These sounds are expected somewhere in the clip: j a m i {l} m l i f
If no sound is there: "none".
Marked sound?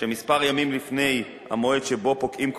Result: none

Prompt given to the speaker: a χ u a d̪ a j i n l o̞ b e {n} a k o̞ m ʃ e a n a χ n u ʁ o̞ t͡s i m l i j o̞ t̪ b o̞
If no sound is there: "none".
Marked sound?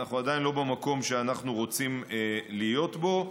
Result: m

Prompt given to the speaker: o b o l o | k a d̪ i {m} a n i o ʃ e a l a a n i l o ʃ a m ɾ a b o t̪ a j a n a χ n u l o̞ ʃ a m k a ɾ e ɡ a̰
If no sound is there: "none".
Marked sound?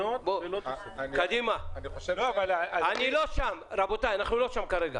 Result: m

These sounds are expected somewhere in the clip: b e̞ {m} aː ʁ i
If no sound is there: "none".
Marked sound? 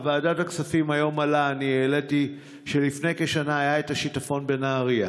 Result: n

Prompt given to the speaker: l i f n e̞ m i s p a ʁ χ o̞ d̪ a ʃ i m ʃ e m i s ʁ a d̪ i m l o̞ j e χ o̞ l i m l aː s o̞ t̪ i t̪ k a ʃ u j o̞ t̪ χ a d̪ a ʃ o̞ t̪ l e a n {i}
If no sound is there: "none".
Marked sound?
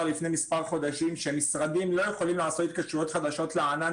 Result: a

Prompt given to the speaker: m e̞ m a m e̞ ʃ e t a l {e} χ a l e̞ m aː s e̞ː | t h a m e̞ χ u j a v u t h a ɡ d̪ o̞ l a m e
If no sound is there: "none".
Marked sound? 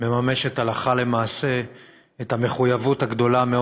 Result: a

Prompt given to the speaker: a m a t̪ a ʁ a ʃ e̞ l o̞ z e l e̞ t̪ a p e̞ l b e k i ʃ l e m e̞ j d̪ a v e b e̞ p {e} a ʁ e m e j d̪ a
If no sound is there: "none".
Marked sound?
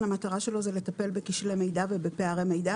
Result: e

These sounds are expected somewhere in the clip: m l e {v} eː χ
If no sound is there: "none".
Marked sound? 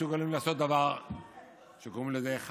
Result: z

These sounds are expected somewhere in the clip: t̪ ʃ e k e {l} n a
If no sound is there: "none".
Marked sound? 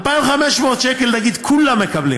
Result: l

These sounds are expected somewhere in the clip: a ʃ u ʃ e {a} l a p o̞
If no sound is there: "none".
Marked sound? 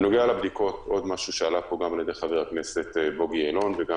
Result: a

